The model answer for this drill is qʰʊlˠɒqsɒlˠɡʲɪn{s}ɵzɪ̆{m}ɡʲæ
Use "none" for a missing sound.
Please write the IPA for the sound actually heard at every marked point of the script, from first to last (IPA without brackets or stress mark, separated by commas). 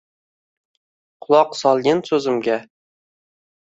s, m